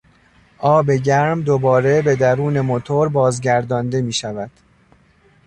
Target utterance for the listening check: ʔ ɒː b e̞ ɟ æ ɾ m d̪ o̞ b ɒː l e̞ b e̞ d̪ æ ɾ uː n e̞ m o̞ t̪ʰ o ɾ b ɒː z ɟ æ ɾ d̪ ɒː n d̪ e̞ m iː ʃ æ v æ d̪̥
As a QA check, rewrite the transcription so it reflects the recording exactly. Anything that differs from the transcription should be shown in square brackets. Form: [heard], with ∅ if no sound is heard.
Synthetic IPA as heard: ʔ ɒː b e̞ ɟ æ ɾ m d̪ o̞ b ɒː [ɾ] e̞ b e̞ d̪ æ ɾ uː n e̞ m o̞ t̪ʰ o ɾ b ɒː z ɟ æ ɾ d̪ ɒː n d̪ e̞ m iː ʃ æ v æ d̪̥